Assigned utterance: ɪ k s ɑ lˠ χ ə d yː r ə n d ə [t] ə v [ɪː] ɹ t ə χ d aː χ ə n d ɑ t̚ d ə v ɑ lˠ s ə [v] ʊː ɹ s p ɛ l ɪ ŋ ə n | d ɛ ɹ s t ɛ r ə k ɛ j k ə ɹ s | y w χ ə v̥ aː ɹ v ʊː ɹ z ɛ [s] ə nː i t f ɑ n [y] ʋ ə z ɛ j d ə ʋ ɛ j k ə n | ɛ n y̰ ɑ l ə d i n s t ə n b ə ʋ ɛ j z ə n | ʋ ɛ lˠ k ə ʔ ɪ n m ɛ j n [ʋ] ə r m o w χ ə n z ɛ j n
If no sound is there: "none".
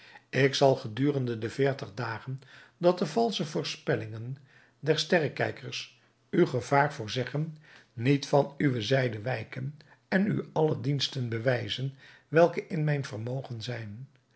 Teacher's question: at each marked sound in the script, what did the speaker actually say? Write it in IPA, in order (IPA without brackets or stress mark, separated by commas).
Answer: d, ɪː, v, χ, y, v